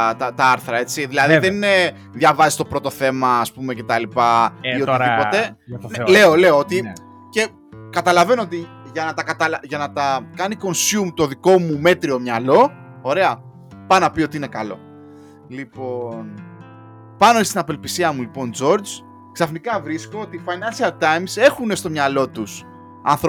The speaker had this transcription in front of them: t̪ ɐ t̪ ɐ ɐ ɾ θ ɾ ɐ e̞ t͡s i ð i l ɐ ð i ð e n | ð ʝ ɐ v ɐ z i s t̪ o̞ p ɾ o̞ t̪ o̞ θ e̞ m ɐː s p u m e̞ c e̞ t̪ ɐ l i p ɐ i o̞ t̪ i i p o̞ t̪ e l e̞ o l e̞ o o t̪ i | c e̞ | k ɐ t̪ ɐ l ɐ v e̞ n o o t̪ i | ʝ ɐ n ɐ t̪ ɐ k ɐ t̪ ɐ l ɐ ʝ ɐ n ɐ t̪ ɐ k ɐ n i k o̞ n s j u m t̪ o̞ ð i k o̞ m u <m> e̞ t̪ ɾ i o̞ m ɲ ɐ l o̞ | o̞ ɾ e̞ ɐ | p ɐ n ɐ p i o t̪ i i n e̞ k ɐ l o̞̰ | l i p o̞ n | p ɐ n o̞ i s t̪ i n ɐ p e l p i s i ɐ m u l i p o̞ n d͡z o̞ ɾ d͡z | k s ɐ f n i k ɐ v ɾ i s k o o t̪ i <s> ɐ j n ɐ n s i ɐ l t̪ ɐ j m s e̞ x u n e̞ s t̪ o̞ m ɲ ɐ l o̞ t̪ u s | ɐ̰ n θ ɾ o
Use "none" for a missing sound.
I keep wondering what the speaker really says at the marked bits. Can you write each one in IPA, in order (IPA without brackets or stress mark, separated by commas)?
m, f